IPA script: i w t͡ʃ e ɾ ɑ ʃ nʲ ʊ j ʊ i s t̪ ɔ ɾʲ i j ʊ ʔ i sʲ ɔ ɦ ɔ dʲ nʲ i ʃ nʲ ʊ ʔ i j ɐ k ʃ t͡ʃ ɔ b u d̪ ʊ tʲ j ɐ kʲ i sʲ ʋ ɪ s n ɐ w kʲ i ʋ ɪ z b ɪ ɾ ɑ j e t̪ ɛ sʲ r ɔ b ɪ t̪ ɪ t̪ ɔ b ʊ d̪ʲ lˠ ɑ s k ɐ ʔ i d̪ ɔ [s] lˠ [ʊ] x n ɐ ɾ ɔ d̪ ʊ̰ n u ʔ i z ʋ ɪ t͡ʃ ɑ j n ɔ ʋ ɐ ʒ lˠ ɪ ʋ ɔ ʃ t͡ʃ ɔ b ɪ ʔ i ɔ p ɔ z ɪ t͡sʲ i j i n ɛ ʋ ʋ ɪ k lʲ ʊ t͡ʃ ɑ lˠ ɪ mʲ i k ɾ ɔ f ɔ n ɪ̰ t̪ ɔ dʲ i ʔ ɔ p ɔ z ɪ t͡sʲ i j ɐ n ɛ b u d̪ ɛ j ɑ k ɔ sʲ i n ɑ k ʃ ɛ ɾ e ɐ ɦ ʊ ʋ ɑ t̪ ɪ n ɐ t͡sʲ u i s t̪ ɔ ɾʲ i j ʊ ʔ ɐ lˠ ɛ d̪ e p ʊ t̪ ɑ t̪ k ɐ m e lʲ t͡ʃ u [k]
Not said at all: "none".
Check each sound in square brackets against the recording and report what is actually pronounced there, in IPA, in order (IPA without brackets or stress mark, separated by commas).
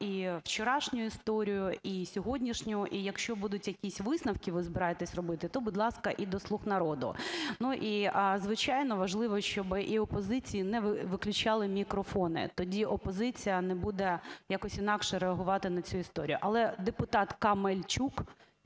s, u, k